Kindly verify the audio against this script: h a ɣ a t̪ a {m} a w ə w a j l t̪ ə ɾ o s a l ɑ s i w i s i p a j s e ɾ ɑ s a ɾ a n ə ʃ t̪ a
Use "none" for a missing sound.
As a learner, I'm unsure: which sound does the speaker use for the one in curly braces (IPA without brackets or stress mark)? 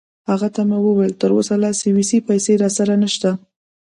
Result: m